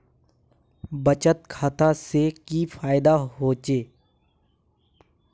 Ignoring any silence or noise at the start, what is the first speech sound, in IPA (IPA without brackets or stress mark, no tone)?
b